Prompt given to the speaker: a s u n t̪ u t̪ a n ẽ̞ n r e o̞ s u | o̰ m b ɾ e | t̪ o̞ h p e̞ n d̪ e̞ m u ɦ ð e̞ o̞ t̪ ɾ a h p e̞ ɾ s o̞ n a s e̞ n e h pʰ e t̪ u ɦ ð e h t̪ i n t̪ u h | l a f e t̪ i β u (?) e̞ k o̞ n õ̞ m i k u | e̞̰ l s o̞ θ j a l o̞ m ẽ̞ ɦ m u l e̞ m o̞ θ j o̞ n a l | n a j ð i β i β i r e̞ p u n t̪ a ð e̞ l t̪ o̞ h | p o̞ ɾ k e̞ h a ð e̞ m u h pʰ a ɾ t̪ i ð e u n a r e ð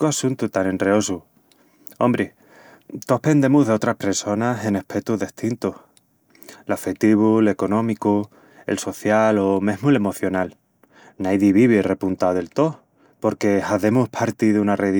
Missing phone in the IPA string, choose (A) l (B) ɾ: A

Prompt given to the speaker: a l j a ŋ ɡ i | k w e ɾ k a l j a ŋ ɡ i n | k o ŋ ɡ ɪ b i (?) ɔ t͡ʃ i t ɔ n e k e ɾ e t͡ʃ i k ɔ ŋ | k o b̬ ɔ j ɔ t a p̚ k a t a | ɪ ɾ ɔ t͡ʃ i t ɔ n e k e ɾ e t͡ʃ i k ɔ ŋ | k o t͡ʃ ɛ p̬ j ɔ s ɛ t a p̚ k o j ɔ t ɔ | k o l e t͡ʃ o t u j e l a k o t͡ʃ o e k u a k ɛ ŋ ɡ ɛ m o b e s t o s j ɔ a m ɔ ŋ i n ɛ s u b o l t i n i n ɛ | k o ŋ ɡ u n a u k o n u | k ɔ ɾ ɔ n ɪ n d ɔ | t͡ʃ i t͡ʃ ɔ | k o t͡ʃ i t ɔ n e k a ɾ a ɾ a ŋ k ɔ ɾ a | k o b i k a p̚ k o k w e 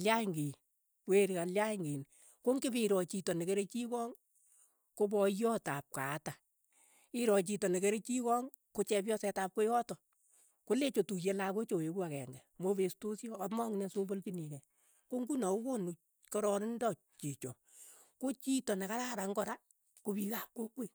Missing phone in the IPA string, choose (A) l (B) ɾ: B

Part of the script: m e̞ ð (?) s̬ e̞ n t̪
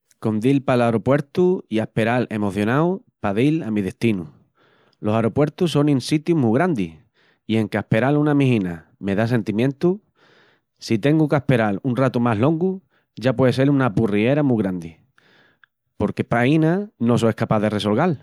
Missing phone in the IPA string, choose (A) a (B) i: A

